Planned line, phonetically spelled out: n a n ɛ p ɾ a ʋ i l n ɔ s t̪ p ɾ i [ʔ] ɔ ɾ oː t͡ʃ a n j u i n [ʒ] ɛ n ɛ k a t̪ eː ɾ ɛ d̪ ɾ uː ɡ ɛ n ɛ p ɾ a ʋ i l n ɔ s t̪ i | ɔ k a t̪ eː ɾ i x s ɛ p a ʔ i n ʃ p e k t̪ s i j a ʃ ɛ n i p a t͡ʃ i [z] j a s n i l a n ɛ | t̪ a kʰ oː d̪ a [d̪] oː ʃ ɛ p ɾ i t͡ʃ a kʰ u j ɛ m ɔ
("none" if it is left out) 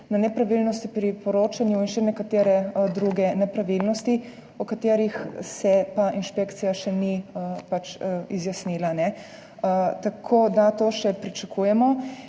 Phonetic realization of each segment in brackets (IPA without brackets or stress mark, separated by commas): p, ʃ, z, t̪